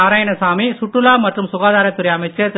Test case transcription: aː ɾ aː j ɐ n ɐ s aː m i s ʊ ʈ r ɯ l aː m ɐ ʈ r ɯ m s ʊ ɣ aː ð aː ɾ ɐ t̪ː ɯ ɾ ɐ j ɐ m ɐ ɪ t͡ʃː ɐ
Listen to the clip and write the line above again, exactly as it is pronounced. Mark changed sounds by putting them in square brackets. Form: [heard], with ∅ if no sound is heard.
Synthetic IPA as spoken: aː ɾ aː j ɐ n ɐ s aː m i s ʊ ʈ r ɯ l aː m ɐ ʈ r ɯ m s ʊ ɣ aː ð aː ɾ ɐ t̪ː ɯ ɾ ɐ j ɐ m ɐ ɪ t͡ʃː ɐ